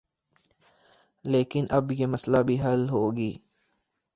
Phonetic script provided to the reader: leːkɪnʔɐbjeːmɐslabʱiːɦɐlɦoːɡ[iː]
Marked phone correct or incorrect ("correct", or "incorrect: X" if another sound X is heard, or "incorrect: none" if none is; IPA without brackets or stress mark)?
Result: correct